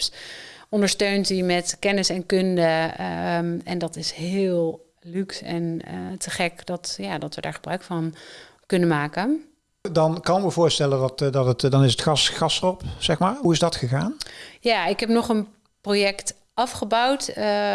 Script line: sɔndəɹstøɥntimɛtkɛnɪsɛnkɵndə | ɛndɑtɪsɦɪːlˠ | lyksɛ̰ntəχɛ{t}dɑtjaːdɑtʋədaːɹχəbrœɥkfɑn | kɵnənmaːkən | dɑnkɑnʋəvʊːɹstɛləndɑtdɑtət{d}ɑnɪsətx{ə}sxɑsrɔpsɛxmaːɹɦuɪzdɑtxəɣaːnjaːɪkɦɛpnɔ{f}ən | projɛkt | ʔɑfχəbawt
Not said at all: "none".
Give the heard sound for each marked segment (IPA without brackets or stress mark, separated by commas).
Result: k, d, ɑ, χ